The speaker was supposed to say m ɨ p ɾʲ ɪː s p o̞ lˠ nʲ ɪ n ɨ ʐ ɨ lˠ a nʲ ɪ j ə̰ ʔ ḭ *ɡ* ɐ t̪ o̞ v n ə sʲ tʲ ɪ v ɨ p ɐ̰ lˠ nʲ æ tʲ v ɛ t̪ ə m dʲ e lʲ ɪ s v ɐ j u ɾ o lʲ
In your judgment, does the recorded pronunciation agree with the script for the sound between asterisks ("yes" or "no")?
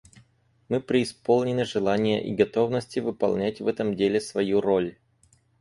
yes